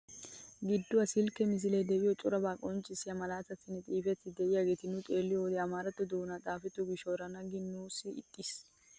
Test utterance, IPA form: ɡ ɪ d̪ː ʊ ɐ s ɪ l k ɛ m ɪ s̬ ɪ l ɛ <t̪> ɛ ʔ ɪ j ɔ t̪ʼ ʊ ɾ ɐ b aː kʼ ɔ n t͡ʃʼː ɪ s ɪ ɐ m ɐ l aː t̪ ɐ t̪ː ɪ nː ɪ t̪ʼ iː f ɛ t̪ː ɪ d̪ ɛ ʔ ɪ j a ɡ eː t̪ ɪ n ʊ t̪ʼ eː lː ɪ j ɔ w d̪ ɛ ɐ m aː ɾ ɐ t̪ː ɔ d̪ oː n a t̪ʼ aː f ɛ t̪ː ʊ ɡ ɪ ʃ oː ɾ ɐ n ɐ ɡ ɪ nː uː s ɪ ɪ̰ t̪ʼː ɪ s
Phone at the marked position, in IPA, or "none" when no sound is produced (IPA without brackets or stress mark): d̪